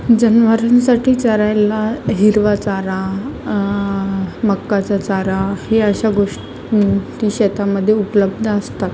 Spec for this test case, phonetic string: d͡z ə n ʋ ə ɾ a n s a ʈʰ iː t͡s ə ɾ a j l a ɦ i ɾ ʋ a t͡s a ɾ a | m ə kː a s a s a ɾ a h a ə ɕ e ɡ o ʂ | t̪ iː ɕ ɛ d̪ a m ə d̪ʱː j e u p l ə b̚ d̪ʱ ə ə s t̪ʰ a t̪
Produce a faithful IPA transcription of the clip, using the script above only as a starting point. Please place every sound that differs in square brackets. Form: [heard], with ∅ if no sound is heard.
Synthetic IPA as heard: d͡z ə n ʋ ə ɾ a n s a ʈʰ iː t͡s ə ɾ a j l a ɦ i ɾ ʋ a t͡s a ɾ a | m ə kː a [t͡s] a [t͡s] a ɾ a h [e] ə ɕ [a] ɡ o ʂ | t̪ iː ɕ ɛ [t̪] a m ə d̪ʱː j e u p l ə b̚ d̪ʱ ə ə s [t̪] a t̪